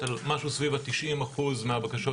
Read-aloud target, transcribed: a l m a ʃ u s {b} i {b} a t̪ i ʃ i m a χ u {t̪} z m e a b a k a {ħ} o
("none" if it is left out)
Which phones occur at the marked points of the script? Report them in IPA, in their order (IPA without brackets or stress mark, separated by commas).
v, v, none, ʃ